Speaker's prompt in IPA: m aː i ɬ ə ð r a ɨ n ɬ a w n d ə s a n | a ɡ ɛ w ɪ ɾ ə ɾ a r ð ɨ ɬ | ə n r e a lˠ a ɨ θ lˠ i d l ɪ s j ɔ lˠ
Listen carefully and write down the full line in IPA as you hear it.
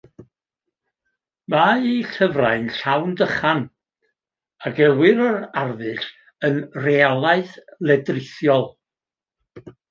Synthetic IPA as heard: m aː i ɬ ə v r a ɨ n ɬ a w n d ə χ a n | a ɡ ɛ w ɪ ɾ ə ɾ a r ð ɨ ɬ | ə n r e a lˠ a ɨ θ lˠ ɛ d r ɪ θ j ɔ lˠ